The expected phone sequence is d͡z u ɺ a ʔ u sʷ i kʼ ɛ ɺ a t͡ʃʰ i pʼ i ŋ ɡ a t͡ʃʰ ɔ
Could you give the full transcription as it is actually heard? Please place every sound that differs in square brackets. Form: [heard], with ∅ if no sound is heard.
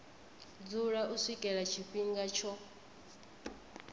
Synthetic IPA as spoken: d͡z u ɺ a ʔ u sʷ i kʼ ɛ ɺ a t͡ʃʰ i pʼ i ŋ ɡ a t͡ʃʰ ɔ